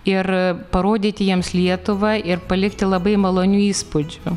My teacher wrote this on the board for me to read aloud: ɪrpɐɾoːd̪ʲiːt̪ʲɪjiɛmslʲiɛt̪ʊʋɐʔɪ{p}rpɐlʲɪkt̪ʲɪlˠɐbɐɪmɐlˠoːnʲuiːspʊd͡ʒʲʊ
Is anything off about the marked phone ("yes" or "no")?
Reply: yes